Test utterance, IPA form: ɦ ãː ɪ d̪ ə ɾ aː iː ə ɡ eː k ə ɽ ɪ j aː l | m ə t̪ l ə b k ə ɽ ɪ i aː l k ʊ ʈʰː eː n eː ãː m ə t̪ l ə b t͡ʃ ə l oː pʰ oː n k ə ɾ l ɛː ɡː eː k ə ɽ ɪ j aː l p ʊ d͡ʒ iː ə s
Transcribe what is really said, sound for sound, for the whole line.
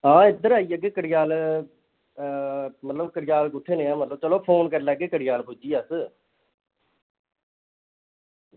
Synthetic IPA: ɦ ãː ɪ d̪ ə ɾ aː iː ə ɡ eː k ə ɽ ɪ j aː l | m ə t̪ l ə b k ə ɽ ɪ j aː l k ʊ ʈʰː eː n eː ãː m ə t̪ l ə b t͡ʃ ə l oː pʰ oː n k ə ɾ l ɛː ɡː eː k ə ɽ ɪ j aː l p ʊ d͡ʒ iː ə s